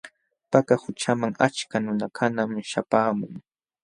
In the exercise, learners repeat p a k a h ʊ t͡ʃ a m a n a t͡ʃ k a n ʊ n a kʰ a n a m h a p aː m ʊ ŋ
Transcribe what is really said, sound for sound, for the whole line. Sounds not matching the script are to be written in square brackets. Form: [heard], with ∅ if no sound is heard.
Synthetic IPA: p a k a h ʊ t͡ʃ a m a [ŋ] a t͡ʃ k a n ʊ n a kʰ a n a m [ʃ] a p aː m ʊ ŋ